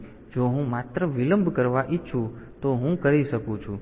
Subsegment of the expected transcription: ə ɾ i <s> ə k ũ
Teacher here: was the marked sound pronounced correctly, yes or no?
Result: no